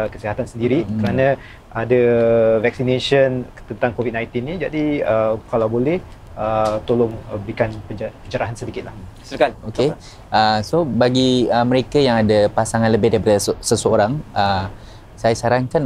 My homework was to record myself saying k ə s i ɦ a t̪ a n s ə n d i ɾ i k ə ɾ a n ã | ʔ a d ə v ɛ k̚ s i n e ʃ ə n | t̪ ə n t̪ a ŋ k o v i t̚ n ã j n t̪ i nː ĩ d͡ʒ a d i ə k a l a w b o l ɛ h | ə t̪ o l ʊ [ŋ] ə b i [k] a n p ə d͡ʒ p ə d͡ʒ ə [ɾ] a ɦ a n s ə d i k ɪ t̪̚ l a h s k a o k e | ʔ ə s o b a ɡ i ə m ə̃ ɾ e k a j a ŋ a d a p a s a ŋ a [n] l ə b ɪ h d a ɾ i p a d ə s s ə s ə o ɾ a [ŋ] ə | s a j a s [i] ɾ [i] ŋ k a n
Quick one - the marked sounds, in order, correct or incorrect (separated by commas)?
correct, correct, correct, correct, correct, incorrect, incorrect